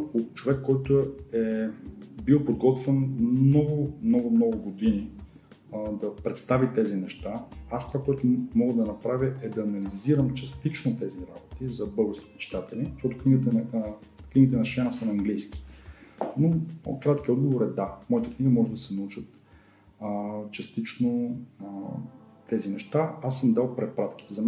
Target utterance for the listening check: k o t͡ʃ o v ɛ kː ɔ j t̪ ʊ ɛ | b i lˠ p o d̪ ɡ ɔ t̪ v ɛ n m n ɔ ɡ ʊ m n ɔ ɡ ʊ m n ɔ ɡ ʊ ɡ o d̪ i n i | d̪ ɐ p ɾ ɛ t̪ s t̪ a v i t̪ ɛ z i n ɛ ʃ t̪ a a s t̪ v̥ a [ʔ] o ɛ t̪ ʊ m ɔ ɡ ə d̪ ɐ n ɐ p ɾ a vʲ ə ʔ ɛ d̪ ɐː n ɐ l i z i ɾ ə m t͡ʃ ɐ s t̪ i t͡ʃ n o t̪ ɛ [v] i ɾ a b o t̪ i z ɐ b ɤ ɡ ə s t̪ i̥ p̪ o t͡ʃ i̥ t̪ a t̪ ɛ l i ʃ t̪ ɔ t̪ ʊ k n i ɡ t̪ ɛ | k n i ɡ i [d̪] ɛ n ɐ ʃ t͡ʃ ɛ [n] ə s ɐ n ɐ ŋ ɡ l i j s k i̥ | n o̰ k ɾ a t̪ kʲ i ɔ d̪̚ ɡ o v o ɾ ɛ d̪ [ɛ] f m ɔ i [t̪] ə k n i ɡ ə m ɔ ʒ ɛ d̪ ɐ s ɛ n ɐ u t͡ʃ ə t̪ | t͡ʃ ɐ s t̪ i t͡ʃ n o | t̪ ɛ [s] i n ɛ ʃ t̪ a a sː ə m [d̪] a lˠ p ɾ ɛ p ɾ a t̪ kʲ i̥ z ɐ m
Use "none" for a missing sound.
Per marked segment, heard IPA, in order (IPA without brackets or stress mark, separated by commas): k, z, t̪, n, a, t̪, z, d̪